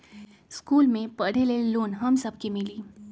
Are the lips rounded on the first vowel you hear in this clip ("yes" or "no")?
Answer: yes